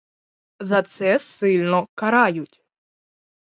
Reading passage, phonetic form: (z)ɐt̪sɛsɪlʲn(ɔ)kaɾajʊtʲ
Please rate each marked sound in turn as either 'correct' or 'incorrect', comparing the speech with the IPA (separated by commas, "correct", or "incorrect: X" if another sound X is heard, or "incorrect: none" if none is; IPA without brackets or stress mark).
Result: correct, correct